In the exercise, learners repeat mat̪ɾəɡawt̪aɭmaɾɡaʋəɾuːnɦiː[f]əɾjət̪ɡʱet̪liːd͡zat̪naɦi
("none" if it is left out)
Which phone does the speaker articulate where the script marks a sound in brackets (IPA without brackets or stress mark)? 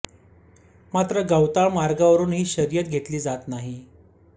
ɕ